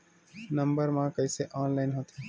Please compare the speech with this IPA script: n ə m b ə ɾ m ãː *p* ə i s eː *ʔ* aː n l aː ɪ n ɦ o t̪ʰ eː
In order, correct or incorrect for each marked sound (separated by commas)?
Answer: incorrect, correct